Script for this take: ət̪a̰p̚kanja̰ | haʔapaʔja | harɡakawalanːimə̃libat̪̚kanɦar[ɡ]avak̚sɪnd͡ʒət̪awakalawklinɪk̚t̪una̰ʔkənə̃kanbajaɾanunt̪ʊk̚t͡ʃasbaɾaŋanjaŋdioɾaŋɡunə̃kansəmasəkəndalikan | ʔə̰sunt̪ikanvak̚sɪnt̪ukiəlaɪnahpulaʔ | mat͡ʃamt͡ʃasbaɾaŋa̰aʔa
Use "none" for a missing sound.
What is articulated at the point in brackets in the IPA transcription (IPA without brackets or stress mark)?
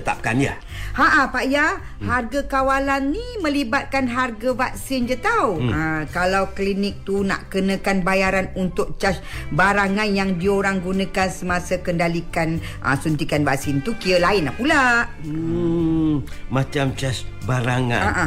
ɡ